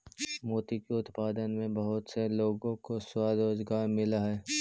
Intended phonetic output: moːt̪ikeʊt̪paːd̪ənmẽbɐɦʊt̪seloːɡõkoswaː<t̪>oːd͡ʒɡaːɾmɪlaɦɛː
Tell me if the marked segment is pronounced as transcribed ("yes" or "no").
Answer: no